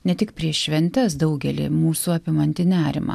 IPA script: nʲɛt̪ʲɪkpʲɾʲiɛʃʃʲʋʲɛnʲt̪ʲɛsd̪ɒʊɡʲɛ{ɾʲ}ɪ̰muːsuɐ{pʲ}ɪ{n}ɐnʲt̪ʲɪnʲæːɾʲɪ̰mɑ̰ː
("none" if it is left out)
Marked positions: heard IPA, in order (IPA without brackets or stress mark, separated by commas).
lʲ, pʲ, m